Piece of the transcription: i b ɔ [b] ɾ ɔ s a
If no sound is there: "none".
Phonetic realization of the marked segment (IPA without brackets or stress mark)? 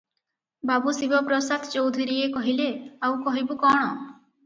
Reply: p